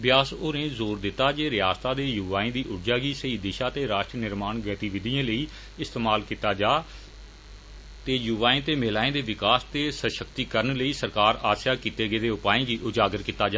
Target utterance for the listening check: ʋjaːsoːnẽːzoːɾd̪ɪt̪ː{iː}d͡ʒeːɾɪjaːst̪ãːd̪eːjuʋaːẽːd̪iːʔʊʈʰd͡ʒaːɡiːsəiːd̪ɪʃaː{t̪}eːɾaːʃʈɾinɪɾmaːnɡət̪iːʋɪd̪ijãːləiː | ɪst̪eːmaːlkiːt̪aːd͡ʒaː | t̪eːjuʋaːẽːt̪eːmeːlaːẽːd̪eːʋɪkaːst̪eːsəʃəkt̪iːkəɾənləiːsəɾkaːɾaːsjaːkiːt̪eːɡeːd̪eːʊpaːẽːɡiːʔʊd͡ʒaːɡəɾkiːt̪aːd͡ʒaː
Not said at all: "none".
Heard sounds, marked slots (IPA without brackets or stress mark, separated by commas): aː, t̪